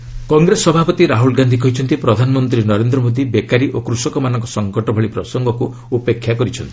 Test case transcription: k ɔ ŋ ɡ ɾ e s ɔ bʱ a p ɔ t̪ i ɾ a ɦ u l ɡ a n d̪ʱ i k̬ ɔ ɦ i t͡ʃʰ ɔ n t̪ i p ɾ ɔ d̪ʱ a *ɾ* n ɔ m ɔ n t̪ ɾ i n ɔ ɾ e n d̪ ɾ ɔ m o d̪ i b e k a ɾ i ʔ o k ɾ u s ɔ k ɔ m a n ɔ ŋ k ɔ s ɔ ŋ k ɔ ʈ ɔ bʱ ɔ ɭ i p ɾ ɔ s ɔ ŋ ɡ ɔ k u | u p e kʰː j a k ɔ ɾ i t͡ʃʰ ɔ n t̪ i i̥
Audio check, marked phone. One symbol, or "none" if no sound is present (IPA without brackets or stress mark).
none